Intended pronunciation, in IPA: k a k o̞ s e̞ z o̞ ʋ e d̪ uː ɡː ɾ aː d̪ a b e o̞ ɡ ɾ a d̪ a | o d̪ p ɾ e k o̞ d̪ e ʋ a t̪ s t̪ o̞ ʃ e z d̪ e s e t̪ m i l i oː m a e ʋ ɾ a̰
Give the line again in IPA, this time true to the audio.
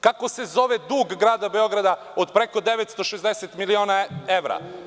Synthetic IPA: k a k o̞ s e̞ z o̞ ʋ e d̪ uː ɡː ɾ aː d̪ a b e o̞ ɡ ɾ a d̪ a | o d̪ p ɾ e k o̞ d̪ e ʋ e t̪ s t̪ o̞ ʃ e z d̪ e s e t̪ m i l i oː n a e ʋ ɾ a̰